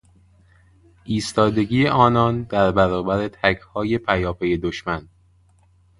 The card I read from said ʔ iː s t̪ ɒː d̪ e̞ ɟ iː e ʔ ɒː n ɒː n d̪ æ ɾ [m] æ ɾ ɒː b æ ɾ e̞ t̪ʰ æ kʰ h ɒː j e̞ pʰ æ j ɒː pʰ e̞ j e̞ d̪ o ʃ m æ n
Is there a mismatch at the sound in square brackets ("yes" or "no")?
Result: yes